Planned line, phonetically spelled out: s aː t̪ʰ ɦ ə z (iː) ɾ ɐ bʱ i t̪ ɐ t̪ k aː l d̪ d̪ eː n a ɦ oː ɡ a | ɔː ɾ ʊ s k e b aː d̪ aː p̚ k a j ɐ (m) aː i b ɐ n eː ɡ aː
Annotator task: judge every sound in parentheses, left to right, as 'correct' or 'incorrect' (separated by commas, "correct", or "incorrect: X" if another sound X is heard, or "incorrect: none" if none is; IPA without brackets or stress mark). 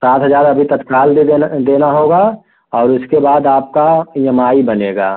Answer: incorrect: aː, correct